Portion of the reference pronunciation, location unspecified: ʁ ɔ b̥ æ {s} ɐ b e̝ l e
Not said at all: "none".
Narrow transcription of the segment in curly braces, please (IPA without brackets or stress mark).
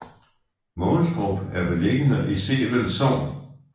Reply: none